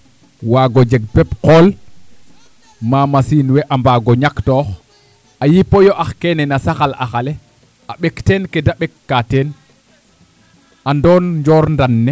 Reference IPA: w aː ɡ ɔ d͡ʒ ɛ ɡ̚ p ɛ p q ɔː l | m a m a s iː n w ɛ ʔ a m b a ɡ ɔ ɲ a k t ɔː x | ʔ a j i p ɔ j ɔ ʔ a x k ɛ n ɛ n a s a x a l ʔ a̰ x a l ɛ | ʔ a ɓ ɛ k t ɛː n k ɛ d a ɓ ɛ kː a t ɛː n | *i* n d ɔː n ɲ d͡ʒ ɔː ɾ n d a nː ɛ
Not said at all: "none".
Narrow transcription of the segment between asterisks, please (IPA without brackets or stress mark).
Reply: a